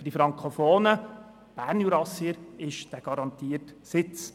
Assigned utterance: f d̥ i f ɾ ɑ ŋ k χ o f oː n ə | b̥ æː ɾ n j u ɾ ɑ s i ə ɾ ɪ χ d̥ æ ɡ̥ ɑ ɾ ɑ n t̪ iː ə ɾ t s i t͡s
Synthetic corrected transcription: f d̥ i f ɾ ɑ ŋ k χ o f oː n ə | b̥ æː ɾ n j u ɾ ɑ s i ə ɾ ɪ ʃ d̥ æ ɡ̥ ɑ ɾ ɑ n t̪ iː ə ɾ t s ɪ t͡s